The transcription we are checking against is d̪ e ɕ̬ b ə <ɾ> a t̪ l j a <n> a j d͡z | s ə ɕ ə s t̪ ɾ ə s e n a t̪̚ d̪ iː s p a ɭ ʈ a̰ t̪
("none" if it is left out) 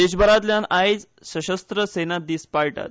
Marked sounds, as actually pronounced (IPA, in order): ɾ, n

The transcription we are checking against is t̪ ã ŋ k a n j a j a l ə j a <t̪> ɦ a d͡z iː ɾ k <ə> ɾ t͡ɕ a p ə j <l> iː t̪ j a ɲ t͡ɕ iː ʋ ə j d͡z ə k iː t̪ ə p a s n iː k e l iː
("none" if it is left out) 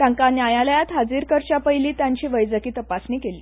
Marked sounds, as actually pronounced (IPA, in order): t̪, ə, l

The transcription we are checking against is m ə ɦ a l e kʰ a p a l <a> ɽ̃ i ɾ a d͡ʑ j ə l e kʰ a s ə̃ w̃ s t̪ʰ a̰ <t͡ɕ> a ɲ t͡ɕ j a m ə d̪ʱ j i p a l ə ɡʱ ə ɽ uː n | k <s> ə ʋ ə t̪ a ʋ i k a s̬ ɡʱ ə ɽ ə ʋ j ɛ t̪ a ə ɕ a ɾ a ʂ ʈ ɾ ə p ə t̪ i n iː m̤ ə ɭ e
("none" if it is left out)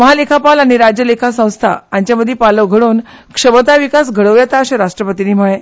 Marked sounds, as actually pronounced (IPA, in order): a, none, ʂ

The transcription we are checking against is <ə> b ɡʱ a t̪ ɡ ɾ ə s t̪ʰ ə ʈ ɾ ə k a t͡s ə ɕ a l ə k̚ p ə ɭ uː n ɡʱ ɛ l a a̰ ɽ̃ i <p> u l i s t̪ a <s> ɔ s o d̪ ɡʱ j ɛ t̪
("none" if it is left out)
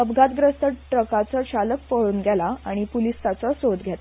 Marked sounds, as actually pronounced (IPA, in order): ə, p, t͡s

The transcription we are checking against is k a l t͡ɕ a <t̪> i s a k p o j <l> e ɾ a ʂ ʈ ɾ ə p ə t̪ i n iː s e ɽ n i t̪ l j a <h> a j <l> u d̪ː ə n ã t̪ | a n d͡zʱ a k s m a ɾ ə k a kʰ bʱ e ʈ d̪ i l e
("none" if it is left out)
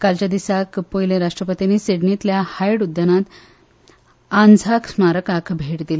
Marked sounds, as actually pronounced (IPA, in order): d̪, l, h, ɽ

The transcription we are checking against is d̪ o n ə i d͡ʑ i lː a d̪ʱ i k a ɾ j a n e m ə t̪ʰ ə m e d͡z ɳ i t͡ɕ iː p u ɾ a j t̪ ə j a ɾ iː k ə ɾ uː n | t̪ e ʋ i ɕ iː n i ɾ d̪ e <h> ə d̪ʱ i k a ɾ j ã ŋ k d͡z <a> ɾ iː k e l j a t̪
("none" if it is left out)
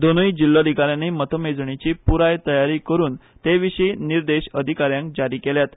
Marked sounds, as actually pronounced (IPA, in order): ɕ, a

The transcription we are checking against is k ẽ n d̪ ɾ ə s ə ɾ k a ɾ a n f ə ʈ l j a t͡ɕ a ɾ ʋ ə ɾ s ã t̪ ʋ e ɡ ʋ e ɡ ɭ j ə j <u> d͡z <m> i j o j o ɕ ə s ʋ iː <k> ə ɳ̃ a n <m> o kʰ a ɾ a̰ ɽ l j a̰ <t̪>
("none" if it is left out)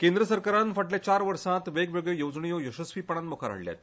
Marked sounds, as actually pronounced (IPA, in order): o, ɳ, p, m, t̪

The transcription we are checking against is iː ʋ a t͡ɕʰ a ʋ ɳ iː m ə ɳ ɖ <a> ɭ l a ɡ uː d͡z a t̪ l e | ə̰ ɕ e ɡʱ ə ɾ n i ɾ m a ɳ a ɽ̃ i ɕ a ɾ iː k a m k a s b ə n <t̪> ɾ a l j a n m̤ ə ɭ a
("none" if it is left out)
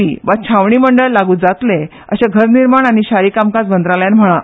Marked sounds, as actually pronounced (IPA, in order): ə, d̪

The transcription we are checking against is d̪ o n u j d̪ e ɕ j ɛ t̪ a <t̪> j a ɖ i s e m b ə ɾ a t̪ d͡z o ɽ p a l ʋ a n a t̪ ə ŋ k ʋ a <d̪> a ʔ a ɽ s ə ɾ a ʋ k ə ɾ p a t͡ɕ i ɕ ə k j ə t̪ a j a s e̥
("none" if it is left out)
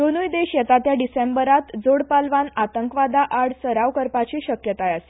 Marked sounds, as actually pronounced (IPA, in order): t̪, d̪

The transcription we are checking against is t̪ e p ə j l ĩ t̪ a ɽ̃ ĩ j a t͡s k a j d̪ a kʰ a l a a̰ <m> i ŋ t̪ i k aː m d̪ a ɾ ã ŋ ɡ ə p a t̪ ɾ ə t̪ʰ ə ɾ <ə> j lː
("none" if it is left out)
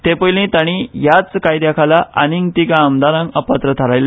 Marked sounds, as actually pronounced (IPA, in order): n, a

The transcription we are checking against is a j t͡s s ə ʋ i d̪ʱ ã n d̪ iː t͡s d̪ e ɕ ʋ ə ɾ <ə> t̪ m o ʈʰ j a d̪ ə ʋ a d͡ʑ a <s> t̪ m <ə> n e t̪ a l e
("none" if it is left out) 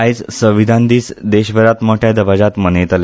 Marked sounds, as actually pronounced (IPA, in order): a, none, ə

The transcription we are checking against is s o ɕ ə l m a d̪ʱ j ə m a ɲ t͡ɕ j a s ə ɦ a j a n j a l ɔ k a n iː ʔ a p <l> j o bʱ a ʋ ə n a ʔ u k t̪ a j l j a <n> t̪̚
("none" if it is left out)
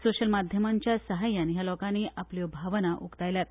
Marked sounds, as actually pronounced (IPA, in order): l, none

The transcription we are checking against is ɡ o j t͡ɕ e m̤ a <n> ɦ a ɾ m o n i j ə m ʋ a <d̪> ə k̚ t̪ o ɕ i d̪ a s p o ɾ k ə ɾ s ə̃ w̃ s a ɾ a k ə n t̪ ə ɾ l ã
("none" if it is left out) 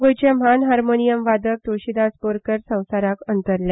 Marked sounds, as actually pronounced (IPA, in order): n, d̪

